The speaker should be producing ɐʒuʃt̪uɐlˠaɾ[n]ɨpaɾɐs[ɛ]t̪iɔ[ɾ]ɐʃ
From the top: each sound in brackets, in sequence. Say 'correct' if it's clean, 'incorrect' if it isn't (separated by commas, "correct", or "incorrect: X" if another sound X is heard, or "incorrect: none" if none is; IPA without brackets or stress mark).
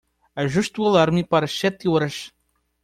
incorrect: m, correct, correct